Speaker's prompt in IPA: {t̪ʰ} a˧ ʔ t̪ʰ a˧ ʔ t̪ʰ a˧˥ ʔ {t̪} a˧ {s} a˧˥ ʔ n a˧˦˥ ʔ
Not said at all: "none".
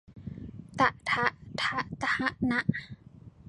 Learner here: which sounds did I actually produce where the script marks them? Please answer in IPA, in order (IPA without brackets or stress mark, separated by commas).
t̪, t̪, h